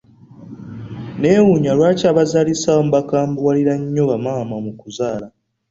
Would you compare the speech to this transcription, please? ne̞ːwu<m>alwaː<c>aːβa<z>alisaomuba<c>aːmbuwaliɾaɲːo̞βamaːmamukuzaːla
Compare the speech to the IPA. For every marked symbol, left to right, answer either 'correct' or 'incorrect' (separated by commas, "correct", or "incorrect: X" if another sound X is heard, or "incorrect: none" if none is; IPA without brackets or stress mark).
incorrect: ɲ, correct, correct, incorrect: k